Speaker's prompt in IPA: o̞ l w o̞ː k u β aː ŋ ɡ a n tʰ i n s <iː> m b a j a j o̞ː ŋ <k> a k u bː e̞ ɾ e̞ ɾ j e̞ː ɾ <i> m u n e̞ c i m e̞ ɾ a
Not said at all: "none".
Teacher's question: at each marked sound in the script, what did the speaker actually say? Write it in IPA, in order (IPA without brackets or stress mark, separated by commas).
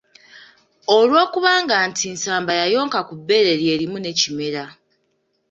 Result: aː, k, i